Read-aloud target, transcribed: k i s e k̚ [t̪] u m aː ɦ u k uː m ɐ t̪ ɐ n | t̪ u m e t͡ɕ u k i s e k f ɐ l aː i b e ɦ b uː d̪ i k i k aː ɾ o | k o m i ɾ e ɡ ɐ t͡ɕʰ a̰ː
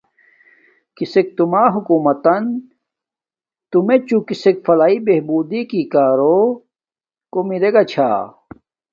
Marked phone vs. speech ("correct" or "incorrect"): correct